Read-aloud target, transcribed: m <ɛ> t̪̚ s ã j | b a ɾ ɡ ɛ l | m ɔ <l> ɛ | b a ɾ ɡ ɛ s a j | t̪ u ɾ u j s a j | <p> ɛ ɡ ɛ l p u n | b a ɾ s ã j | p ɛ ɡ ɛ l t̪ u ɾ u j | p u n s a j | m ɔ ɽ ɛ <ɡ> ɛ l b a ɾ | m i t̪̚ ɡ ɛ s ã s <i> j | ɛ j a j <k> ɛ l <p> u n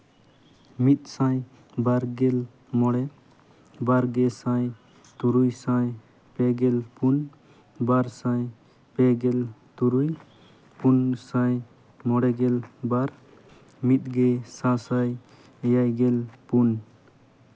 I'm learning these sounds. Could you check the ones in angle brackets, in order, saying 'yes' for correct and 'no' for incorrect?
no, no, yes, yes, no, no, yes

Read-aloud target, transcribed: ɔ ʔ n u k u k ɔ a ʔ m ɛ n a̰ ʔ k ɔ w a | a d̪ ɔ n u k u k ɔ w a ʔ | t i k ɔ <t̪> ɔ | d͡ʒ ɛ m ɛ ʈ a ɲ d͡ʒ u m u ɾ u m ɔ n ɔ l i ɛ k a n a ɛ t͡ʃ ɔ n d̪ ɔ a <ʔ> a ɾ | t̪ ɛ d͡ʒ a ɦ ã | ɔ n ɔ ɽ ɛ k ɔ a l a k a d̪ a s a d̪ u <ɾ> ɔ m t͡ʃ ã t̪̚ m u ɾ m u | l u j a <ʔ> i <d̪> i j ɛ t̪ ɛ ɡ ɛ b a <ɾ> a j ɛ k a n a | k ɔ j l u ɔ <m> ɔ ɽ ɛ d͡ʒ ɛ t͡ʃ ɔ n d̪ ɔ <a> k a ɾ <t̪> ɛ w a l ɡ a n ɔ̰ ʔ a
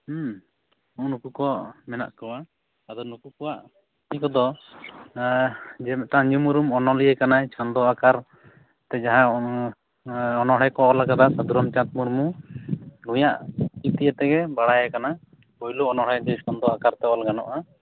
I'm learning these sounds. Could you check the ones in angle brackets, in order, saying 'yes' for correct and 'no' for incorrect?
no, no, yes, yes, no, no, no, yes, yes

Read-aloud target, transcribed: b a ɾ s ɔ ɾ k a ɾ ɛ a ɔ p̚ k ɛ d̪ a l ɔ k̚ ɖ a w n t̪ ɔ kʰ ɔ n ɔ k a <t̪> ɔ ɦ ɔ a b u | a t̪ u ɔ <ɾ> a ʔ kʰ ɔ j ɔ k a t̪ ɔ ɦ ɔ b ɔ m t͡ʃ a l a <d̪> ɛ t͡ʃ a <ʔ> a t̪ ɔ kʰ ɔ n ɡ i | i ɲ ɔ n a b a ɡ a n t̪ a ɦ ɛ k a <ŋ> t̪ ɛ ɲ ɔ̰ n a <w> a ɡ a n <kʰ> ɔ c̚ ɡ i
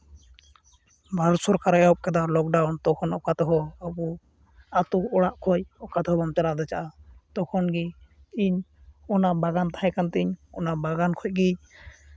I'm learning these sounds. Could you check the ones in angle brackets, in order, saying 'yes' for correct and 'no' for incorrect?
yes, no, yes, yes, no, no, yes

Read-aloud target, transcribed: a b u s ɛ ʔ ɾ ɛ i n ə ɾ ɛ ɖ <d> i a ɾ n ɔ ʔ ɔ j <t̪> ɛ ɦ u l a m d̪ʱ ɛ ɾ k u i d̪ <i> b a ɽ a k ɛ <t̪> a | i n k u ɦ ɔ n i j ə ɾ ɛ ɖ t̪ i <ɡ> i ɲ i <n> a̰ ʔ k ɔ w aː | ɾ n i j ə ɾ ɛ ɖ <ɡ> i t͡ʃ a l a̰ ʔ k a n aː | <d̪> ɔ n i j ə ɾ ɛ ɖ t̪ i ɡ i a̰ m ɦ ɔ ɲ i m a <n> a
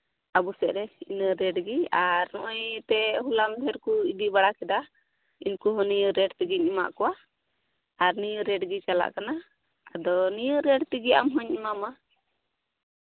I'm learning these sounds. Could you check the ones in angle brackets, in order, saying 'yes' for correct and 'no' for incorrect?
no, yes, yes, no, yes, no, yes, yes, no

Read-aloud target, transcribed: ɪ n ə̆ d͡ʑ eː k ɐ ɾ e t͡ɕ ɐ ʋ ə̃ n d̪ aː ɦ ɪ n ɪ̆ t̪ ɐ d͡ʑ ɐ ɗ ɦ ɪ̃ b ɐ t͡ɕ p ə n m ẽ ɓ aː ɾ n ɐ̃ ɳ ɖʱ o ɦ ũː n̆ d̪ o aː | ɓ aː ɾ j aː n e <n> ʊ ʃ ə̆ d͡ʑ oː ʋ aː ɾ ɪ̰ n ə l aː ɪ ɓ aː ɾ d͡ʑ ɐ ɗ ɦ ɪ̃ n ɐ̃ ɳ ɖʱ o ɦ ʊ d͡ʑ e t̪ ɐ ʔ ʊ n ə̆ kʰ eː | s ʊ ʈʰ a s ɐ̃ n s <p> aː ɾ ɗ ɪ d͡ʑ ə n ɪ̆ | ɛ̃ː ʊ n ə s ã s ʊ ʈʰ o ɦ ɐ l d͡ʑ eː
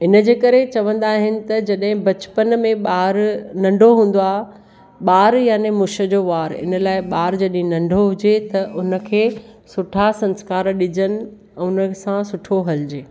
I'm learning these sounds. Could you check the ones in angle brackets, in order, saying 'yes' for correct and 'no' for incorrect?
no, no

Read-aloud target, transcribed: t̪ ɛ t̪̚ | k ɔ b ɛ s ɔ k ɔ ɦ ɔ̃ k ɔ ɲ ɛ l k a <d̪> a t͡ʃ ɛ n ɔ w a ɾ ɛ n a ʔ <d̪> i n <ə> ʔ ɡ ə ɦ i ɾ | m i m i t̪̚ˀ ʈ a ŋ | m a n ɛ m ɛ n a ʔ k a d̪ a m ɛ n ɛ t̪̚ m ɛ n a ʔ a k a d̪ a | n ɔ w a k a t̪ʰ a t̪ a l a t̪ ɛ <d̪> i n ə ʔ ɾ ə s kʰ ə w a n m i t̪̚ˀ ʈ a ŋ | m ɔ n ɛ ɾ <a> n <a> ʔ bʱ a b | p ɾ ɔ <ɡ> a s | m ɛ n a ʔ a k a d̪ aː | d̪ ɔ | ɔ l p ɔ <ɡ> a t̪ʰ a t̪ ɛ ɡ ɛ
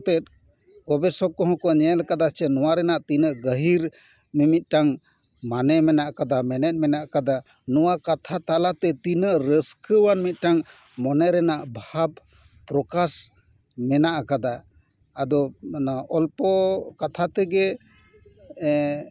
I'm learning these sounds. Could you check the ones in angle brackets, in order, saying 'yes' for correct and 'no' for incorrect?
yes, no, yes, no, no, yes, no, no

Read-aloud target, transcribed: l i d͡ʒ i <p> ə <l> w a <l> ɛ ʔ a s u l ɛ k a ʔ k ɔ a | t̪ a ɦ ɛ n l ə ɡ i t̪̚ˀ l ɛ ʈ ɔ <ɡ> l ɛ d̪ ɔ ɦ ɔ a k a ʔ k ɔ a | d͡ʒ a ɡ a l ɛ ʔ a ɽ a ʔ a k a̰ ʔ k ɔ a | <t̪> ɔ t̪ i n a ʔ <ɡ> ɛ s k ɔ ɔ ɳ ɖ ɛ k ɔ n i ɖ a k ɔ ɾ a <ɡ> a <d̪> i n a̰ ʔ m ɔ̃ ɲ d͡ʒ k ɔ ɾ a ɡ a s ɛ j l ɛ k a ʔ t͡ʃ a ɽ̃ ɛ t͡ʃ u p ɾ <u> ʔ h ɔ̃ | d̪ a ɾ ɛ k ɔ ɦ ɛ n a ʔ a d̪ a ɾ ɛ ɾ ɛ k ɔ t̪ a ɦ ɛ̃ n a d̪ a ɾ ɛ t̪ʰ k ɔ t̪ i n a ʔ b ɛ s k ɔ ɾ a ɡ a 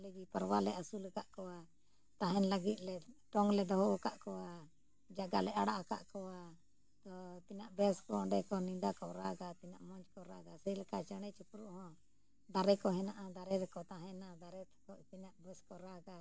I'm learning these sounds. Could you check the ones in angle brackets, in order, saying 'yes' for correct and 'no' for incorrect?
yes, no, yes, no, yes, no, yes, no, yes

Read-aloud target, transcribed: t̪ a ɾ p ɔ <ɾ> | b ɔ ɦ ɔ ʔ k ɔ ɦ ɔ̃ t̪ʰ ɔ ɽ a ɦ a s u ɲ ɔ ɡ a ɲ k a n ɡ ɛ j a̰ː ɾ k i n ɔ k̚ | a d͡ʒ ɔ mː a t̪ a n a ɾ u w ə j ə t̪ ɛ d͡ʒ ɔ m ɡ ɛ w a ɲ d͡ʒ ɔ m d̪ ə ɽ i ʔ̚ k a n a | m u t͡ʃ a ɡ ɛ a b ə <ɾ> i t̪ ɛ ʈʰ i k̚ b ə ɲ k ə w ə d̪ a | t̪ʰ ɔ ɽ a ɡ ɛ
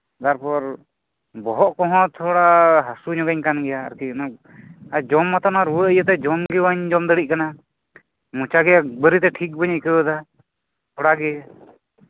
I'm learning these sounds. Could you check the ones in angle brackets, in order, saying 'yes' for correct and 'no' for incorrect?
yes, yes

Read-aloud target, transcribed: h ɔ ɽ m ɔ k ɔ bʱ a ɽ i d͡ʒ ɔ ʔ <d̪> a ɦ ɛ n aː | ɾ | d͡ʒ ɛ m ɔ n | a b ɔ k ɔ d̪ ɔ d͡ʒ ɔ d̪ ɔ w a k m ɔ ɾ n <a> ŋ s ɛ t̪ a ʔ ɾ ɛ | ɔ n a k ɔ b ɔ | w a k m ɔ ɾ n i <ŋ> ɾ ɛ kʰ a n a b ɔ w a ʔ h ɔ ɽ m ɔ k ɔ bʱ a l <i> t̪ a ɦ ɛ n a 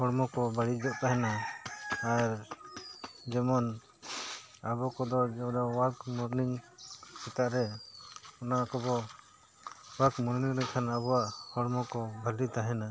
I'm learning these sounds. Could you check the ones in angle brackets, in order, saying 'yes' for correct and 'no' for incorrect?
no, no, yes, yes

